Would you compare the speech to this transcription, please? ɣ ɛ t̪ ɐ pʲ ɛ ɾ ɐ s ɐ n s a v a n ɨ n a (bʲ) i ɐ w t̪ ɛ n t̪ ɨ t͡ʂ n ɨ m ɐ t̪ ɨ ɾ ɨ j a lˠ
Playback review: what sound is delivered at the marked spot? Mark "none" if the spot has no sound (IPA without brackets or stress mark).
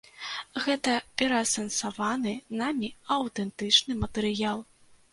mʲ